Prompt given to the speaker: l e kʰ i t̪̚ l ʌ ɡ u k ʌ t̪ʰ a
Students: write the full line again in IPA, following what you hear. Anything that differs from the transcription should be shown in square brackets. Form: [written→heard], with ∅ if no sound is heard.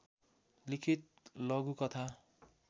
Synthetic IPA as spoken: l [e→i] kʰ i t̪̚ l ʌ ɡ u k ʌ t̪ʰ a

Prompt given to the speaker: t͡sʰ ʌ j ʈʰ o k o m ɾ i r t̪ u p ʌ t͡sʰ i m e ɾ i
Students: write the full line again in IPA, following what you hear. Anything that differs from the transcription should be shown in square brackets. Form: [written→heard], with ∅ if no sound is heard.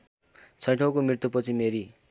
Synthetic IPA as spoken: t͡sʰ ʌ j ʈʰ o k o m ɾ i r t̪ u p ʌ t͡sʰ i m e ɾ i

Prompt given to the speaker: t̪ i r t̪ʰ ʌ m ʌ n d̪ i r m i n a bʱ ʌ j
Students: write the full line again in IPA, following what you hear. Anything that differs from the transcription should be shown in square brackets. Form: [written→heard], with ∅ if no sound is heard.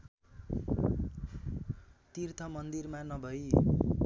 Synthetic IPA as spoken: t̪ i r t̪ʰ ʌ m ʌ n d̪ i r m [i→a] n [a→ʌ] bʱ ʌ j

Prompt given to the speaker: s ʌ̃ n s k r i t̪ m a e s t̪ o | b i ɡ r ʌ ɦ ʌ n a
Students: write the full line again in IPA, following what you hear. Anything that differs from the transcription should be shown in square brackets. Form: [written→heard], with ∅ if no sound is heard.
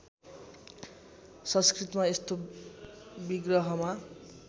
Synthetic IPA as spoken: s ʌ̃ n s k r i t̪ m a e s t̪ o | b i ɡ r ʌ ɦ ʌ [n→m] a

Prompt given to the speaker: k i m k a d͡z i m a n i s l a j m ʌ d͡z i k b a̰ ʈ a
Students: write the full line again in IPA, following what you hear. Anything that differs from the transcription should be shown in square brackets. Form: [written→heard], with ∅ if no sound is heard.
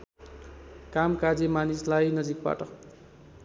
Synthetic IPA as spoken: k [i→a] m k a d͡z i m a n i s l a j [m→n] ʌ d͡z i k b a̰ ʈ [a→ʌ]

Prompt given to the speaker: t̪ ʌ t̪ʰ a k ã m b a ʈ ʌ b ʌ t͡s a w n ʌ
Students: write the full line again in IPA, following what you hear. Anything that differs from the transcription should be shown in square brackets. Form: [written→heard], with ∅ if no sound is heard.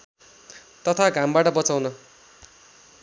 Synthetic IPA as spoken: t̪ ʌ t̪ʰ a [k→ɡ] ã m b a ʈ ʌ b ʌ t͡s a w n ʌ

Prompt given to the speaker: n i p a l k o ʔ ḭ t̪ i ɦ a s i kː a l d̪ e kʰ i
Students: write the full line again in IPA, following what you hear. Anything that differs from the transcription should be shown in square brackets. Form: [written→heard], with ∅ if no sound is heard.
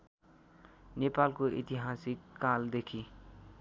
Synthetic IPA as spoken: n [i→e] p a l k o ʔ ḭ t̪ i ɦ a s i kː a l d̪ e kʰ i

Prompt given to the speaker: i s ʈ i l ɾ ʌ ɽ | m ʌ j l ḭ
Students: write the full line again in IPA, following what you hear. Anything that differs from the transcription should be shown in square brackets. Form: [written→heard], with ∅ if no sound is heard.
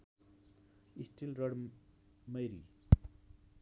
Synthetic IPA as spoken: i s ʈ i l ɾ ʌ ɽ | m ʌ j [l→ɾ] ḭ

